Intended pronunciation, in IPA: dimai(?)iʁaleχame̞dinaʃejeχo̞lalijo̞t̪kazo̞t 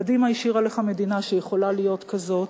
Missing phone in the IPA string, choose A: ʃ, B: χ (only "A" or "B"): A